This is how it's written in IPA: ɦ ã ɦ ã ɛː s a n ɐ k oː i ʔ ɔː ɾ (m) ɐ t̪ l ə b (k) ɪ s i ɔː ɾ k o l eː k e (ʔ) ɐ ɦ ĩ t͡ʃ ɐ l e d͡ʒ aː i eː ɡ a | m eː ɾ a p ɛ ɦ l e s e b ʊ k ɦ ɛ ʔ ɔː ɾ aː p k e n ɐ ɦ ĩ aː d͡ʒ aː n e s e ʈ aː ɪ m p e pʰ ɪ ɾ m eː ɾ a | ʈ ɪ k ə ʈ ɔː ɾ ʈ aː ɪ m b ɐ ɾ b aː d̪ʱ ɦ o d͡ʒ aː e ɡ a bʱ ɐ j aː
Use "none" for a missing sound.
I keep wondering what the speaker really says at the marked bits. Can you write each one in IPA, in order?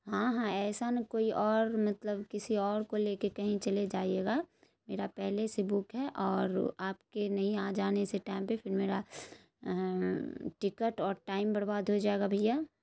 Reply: m, k, k

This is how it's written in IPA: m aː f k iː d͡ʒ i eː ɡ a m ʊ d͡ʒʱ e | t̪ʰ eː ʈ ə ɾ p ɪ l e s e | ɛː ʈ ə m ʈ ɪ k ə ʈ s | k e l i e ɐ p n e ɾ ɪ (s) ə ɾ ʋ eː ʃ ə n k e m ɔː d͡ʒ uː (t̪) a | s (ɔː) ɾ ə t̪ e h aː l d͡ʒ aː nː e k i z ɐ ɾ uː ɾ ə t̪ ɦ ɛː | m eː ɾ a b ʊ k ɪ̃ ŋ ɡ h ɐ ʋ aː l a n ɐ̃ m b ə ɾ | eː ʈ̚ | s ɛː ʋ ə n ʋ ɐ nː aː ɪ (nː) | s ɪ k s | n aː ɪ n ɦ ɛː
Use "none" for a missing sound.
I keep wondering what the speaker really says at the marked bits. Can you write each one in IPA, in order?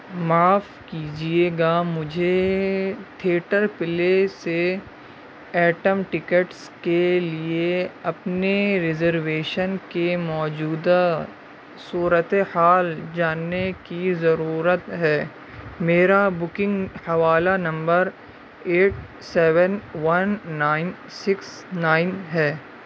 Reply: z, d̪, uː, n

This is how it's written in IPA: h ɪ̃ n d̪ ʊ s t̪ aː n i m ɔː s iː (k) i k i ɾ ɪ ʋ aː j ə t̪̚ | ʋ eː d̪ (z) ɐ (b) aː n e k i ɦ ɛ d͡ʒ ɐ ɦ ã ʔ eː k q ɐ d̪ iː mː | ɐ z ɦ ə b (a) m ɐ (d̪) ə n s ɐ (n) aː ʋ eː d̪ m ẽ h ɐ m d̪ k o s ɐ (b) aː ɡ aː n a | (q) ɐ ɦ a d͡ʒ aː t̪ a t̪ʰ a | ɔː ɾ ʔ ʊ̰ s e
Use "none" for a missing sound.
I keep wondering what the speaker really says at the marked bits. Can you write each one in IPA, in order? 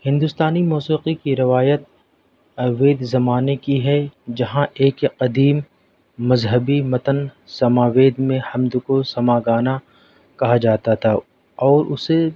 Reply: q, z, m, i, t̪, m, m, k

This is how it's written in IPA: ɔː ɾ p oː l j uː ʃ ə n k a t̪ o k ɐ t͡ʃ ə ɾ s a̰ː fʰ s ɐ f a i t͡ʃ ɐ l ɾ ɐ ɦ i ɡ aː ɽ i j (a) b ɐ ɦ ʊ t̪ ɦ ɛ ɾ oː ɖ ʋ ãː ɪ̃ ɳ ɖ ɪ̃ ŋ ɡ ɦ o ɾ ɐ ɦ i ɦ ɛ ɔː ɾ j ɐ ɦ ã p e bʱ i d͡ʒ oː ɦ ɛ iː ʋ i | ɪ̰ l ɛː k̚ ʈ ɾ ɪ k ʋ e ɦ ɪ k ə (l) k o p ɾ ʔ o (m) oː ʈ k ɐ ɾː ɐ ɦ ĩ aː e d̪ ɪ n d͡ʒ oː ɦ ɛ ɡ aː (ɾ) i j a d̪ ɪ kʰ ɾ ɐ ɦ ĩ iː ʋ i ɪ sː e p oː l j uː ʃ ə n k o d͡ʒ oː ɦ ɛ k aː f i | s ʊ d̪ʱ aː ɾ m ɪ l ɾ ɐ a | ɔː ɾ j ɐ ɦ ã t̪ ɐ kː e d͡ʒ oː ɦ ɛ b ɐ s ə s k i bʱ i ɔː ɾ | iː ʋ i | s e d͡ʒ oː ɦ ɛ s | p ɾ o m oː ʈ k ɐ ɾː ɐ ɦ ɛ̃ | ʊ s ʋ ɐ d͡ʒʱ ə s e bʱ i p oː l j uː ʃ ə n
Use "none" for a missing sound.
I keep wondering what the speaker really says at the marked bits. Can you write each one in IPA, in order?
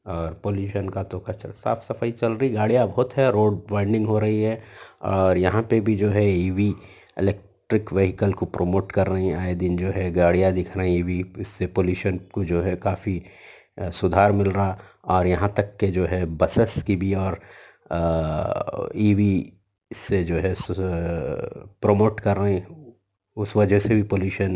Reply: a, l, m, ɽ

